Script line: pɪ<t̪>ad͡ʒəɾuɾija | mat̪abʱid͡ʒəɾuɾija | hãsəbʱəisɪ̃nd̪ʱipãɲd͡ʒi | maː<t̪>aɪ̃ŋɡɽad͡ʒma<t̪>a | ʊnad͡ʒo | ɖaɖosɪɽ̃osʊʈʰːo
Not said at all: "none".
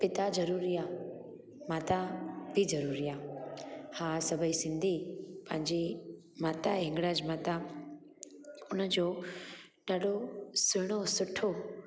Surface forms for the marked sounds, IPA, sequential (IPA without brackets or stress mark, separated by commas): t̪, t̪, t̪